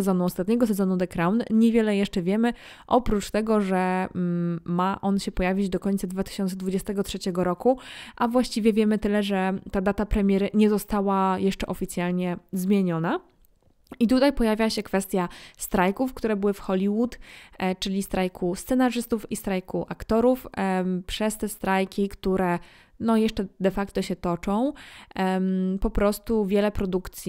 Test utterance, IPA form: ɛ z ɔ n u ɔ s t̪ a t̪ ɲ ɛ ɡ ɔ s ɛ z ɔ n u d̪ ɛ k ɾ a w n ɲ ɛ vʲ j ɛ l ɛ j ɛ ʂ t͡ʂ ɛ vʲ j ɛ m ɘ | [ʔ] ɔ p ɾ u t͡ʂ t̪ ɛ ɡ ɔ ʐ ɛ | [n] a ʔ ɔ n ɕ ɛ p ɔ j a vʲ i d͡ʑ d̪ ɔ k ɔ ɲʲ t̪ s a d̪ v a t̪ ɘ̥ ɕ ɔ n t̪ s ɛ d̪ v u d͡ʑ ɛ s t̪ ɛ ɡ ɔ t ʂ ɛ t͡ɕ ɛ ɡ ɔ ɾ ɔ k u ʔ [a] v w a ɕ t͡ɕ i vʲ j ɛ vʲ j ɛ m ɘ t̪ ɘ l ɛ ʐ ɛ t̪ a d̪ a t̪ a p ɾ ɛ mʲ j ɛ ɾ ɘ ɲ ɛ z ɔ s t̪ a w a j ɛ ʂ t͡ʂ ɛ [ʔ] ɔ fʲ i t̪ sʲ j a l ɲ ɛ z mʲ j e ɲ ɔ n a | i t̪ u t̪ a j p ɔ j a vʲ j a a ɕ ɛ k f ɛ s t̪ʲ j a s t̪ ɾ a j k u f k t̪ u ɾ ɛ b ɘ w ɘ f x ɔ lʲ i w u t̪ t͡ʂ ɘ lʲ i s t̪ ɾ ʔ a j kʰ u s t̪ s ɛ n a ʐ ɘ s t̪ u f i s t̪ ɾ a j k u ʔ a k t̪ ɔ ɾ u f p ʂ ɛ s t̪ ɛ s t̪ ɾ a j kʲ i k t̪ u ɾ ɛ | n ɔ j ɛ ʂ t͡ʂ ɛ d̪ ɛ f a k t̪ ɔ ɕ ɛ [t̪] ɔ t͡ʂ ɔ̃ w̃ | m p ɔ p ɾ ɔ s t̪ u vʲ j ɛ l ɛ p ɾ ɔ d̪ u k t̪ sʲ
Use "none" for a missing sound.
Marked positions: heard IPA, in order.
ʔ, m, a, ʔ, t̪

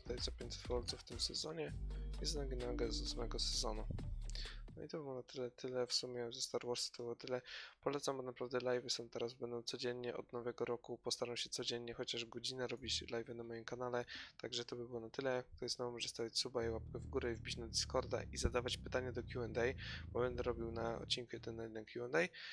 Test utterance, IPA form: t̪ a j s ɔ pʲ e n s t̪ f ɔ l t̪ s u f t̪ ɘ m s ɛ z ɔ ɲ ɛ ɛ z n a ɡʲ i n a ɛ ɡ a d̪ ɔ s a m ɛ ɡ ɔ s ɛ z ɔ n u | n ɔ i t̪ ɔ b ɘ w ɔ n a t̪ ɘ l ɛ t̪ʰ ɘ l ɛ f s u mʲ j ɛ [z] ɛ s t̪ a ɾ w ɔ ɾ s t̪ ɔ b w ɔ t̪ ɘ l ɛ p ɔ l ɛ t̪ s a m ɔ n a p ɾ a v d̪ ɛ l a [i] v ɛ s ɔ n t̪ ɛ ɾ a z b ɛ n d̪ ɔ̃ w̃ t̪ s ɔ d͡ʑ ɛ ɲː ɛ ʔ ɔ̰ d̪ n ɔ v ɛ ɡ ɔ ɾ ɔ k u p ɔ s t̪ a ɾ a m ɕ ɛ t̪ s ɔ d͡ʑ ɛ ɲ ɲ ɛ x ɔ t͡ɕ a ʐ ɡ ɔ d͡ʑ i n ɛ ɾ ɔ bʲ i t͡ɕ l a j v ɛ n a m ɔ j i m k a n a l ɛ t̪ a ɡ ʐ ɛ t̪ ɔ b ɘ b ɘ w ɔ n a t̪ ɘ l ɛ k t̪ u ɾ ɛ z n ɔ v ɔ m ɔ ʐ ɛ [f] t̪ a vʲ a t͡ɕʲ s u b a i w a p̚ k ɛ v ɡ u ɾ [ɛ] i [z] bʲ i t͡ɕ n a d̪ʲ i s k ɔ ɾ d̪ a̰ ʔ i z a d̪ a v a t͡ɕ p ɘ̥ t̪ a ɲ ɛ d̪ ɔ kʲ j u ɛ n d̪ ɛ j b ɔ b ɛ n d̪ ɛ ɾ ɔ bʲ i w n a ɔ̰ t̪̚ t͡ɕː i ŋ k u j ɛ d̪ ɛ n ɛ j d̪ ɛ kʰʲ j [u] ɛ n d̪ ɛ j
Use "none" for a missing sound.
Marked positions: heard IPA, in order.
z, j, s, ɛ, v, u

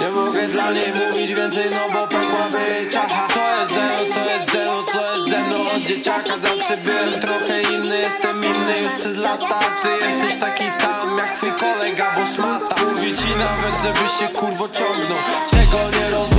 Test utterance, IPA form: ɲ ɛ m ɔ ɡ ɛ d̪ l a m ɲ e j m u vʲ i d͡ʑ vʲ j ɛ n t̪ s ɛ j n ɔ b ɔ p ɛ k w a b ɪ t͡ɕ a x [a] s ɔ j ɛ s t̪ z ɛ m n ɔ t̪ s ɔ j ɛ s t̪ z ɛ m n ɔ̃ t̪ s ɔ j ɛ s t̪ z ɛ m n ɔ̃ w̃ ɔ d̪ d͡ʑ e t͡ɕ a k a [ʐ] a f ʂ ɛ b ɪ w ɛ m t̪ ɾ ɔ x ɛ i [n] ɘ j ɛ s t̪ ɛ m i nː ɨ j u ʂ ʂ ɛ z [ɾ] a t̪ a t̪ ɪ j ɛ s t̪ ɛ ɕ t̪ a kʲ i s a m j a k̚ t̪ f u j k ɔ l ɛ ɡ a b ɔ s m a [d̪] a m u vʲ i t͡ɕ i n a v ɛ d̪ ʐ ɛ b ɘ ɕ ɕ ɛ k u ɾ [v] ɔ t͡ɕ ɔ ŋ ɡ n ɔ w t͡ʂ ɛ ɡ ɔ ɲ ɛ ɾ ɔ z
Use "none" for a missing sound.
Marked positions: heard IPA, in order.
a, z, nː, l, t̪, v

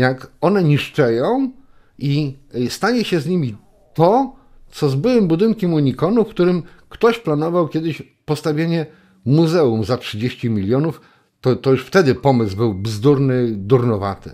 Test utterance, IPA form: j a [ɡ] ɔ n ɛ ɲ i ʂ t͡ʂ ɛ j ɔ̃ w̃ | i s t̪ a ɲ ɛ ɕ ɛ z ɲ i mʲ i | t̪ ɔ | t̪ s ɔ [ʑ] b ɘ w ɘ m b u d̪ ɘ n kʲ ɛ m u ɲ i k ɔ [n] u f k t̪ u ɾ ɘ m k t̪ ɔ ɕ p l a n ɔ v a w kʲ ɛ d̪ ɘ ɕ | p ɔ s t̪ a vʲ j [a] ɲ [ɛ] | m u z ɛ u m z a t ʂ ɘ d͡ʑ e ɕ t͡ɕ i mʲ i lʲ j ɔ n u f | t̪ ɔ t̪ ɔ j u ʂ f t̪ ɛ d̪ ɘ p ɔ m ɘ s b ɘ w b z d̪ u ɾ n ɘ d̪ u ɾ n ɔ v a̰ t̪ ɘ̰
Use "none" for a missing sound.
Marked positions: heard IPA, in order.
k, z, n, e, ɛ

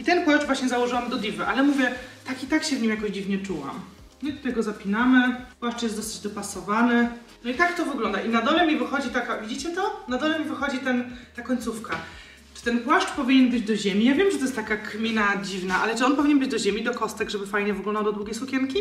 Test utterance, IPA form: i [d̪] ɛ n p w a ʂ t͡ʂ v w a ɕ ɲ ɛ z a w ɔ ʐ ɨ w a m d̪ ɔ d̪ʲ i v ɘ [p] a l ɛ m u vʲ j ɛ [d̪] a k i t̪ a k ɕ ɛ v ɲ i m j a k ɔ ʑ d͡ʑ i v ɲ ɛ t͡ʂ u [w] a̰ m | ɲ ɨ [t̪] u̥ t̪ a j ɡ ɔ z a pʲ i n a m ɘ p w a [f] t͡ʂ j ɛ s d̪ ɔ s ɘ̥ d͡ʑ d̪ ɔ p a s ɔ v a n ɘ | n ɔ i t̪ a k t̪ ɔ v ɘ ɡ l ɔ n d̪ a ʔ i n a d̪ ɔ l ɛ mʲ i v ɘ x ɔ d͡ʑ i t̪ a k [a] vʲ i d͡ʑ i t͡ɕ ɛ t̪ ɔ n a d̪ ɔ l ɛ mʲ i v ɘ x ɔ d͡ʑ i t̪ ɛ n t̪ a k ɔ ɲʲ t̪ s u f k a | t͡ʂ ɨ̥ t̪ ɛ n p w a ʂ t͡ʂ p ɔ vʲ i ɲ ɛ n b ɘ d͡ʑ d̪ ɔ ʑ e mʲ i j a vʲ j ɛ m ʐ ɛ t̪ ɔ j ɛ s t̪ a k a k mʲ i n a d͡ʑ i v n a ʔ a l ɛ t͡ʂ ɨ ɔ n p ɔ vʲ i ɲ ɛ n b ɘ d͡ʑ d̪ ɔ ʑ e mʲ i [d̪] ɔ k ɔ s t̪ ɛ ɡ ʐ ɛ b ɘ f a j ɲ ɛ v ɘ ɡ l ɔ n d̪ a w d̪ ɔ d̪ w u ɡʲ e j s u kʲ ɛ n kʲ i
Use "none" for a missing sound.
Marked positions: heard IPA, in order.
t̪, ʔ, t̪, w, t̪, ʂ, a, d̪

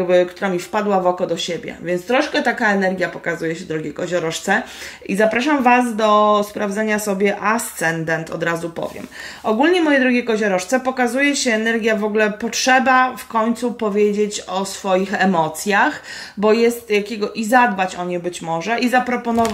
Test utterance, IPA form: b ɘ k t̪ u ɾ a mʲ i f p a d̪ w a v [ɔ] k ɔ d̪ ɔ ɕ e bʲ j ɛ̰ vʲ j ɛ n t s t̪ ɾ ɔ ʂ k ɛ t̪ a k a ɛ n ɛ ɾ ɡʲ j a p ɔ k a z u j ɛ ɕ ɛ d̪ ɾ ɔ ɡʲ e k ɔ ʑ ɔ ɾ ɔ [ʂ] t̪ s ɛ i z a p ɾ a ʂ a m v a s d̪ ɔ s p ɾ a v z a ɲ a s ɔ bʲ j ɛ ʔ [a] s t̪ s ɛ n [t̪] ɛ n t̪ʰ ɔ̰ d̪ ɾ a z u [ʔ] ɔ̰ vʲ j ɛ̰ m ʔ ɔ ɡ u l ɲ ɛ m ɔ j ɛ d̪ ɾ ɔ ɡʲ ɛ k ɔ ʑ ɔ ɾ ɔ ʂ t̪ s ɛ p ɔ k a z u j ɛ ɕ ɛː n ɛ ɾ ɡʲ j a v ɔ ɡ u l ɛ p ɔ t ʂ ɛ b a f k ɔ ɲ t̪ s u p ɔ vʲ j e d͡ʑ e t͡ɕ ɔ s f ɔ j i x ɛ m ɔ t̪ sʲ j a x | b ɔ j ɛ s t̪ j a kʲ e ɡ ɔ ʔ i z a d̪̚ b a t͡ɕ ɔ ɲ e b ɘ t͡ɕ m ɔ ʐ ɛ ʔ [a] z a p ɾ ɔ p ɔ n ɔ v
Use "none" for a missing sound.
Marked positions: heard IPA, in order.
ɔ, ʂ, a, d̪, p, i

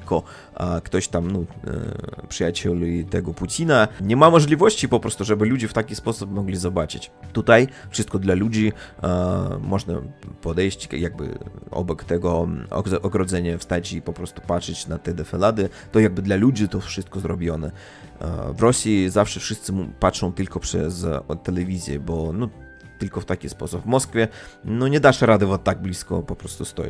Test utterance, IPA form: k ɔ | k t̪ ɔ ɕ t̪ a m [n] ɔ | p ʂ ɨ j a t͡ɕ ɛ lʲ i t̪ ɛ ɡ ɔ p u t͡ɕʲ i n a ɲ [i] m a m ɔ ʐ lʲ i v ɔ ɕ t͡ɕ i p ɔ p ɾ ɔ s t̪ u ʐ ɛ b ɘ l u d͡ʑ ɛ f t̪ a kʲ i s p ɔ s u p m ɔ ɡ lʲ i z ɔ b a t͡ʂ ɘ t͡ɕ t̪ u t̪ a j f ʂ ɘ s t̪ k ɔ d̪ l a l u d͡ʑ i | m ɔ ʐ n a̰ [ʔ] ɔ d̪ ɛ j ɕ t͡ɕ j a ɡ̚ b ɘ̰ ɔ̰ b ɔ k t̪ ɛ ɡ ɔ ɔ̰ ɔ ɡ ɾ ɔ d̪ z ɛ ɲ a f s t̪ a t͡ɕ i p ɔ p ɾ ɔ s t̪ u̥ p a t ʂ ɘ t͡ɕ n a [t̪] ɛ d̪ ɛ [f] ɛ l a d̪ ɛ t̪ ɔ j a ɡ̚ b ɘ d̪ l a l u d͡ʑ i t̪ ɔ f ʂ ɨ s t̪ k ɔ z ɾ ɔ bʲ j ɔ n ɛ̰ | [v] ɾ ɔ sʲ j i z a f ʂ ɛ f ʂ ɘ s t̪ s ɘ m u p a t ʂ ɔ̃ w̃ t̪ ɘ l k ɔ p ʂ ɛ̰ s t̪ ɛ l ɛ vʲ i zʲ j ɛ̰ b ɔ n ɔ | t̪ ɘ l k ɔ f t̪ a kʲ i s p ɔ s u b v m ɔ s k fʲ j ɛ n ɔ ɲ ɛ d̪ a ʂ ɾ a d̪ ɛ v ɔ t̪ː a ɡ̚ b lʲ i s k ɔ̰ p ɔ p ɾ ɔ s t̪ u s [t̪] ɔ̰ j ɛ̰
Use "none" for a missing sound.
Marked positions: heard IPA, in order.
n, ɛ, p, t̪, f, v, t̪

